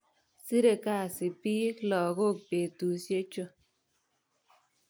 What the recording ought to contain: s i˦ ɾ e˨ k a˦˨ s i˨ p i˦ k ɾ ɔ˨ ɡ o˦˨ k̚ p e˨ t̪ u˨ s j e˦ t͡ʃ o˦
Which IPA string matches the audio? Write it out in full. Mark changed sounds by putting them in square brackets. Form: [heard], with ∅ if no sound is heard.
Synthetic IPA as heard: s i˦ ɾ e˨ k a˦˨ s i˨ p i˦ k [l] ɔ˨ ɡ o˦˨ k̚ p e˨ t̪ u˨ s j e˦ t͡ʃ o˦

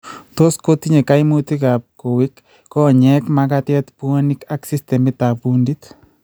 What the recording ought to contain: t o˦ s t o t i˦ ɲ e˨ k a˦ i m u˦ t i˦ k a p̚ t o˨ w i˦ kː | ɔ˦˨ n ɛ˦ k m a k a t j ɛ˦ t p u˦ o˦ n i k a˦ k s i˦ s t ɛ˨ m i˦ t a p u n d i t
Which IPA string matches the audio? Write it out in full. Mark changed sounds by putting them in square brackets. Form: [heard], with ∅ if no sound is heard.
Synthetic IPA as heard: t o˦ s [k] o t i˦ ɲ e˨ k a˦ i m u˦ t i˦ k a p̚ [k] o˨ w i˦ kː | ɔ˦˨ [ɲ] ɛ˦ k m a k a t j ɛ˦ t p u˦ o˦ n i k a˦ k s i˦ s t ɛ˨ m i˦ t a p u n d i t

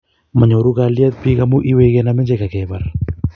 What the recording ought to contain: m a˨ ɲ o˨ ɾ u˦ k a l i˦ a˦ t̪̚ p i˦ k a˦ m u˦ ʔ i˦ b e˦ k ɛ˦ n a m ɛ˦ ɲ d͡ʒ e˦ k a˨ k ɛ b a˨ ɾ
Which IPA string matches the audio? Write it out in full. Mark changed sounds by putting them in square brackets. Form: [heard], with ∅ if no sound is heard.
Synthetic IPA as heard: m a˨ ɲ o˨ ɾ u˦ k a l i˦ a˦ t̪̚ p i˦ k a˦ m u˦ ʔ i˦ [w] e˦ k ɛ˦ n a m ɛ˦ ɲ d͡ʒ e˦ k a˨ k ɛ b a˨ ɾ

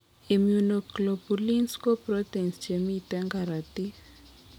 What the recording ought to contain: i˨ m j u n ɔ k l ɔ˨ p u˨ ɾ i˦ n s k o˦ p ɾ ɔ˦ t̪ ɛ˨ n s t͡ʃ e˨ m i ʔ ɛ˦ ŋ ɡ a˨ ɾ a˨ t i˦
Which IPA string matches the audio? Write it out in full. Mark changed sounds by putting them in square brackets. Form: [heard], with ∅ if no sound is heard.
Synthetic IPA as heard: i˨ m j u n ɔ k l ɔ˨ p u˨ [l] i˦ n s k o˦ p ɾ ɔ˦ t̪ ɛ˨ n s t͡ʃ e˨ m i [t] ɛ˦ ŋ ɡ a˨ ɾ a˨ t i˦

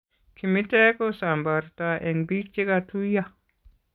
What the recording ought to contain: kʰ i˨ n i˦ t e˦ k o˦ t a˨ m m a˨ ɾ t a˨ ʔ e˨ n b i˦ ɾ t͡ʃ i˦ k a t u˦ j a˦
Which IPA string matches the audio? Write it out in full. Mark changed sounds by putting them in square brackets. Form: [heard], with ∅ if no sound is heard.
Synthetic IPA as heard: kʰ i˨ [m] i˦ t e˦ k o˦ [s] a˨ m [b] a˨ ɾ t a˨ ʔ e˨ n b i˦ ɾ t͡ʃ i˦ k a t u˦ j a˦

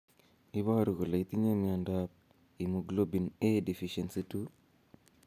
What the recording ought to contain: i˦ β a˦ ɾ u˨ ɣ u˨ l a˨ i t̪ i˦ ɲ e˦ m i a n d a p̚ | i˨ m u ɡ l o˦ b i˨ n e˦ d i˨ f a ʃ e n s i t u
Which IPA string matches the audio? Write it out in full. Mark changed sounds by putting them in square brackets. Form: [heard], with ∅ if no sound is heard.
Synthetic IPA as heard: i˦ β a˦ ɾ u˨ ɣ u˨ l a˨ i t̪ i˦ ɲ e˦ m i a n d a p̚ | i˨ m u ɡ l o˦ b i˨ n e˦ d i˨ f [i] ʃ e n s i t u

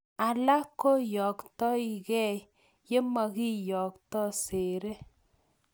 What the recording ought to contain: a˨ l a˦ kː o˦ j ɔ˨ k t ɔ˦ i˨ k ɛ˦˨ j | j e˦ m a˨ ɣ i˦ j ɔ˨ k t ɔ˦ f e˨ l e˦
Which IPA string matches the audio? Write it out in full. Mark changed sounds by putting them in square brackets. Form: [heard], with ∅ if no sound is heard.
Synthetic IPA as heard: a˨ l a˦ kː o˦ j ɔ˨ k t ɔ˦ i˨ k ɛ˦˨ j | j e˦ m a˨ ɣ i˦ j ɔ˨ k t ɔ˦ [s] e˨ [ɾ] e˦

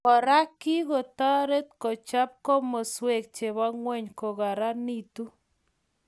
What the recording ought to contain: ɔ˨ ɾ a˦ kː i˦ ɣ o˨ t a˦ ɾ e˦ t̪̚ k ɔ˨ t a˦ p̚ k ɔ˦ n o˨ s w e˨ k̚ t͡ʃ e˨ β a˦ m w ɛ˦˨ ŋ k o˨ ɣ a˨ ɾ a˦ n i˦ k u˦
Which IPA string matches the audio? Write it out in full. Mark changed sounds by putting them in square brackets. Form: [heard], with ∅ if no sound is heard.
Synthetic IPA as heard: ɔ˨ ɾ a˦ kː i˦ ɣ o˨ t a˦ ɾ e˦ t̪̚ k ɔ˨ [t͡ʃ] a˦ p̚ k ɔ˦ [m] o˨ s w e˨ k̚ t͡ʃ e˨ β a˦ [ŋ] w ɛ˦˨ [ɲ] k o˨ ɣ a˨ ɾ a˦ n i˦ [t] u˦

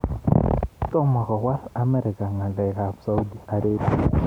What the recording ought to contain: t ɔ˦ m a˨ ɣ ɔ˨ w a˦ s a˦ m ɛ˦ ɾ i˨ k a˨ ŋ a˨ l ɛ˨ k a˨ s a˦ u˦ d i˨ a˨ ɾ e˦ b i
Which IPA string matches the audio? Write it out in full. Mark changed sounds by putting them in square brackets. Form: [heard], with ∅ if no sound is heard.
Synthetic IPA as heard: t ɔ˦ m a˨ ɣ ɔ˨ w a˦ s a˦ m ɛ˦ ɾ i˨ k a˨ ŋ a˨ l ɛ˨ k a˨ s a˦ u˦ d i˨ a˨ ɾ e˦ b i

